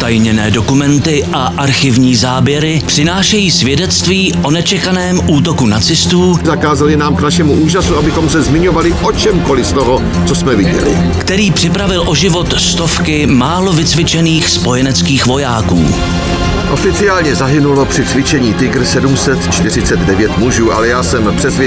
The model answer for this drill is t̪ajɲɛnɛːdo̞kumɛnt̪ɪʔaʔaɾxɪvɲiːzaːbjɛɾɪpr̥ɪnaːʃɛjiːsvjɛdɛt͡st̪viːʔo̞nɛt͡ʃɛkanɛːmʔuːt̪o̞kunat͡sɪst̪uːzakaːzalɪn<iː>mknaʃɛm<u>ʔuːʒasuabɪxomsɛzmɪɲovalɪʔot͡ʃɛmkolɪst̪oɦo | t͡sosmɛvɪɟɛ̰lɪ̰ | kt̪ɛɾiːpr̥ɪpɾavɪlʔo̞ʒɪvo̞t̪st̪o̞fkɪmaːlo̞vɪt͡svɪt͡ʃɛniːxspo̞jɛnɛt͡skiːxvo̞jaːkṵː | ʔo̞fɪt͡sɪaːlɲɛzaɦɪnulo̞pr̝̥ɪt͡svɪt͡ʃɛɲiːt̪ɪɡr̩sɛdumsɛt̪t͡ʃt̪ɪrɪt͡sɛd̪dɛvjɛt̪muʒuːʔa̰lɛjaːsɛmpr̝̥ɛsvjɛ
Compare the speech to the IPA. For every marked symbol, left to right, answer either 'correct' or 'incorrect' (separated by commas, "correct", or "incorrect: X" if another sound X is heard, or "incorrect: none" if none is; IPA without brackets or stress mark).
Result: incorrect: aː, correct